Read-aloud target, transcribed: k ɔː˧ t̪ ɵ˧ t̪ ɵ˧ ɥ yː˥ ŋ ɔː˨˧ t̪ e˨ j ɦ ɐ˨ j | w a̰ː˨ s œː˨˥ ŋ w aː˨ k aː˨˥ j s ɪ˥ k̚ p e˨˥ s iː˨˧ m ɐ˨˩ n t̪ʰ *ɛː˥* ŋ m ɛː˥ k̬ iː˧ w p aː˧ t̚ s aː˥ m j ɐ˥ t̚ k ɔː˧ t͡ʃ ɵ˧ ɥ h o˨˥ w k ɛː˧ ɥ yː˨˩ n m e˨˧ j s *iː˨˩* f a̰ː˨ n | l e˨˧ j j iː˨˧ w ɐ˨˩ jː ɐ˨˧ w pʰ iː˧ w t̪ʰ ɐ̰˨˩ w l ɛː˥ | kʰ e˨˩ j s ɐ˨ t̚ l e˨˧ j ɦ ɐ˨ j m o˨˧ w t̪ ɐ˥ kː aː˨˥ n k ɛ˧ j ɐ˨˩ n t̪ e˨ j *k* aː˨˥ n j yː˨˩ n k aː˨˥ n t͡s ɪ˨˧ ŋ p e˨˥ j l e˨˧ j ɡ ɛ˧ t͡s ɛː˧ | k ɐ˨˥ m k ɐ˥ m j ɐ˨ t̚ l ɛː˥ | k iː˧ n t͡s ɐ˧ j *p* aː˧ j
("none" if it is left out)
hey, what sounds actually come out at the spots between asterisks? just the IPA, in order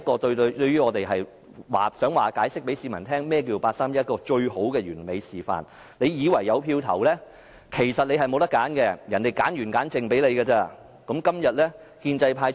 ɛː˥, iː˨˩, k, pʰ

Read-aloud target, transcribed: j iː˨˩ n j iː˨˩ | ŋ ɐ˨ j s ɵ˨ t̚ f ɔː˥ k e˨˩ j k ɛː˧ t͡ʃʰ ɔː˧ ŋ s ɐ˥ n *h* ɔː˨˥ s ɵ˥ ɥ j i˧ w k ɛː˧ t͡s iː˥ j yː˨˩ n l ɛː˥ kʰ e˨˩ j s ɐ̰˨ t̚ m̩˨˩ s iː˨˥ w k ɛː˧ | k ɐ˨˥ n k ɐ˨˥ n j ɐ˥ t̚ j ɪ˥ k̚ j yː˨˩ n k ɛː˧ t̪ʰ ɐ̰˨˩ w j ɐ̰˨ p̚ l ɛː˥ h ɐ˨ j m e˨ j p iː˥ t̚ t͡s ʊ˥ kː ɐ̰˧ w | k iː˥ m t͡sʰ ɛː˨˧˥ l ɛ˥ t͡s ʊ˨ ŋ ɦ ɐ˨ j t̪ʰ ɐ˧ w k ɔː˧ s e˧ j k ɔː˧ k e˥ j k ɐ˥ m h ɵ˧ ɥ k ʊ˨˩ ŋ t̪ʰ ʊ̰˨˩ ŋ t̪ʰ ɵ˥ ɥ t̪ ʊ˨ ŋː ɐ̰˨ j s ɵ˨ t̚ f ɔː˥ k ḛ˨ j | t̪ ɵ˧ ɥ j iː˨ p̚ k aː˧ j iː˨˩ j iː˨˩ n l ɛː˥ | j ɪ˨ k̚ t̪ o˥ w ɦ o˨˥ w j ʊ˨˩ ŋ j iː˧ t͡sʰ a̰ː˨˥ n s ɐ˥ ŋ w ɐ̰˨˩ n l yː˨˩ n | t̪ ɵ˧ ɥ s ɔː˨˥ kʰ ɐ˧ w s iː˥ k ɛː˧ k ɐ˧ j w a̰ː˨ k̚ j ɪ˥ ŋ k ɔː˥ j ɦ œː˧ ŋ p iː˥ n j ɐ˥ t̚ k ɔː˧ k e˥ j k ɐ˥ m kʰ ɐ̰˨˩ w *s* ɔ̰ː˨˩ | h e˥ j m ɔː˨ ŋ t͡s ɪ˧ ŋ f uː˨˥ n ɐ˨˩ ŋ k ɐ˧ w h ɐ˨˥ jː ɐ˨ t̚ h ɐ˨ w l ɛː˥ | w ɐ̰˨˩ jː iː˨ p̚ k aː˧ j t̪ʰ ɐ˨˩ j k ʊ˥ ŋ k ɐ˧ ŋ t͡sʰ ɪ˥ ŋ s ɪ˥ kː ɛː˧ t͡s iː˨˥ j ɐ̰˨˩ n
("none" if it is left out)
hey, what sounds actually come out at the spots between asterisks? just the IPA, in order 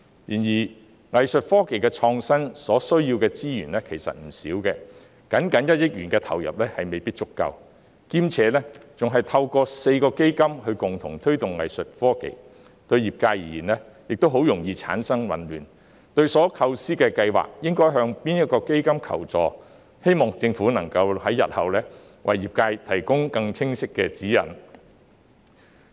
s, t͡s

